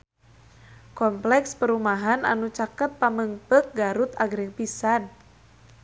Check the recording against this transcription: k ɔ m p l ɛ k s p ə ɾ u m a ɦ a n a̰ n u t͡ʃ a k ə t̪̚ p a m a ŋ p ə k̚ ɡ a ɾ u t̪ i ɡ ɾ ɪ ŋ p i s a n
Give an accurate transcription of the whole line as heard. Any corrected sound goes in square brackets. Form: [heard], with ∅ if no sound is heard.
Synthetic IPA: k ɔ m p l ɛ k s p ə ɾ u m a ɦ a n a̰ n u t͡ʃ a k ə t̪̚ p a m [ə] ŋ p ə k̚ ɡ a ɾ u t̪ [a] ɡ ɾ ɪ ŋ p i s a n